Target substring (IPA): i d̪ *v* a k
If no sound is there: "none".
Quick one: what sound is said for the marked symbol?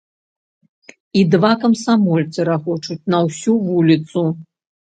v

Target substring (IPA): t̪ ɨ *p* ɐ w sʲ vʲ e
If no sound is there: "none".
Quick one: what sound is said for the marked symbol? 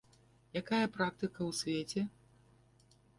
k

